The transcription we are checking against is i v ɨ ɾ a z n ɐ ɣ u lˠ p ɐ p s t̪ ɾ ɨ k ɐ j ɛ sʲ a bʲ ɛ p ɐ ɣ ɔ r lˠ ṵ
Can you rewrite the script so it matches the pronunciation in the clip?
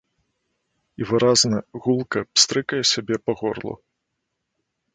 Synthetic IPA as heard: i v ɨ ɾ a z n ɐ ɣ u lˠ k ɐ p s t̪ ɾ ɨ k ɐ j ɛ sʲ a bʲ ɛ p ɐ ɣ ɔ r lˠ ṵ

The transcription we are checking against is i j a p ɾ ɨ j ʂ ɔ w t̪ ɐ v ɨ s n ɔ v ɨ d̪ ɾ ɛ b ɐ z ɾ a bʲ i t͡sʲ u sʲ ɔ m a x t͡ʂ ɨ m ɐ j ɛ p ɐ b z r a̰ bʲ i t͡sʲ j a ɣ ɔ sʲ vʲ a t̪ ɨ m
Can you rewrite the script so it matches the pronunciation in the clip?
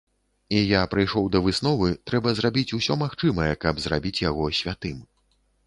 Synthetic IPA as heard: i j a p ɾ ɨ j ʂ ɔ w d̪ ɐ v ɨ s n ɔ v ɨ t̪ ɾ ɛ b ɐ z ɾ a bʲ i t͡sʲ u sʲ ɔ m a x t͡ʂ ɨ m ɐ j ɛ k ɐ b z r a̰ bʲ i t͡sʲ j a ɣ ɔ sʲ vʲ a t̪ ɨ m

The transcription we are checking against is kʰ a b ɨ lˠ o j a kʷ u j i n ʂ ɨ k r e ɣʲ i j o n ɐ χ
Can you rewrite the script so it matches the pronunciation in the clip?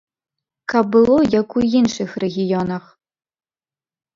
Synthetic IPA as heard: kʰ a b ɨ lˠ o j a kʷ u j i n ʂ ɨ x r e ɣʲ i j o n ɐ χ

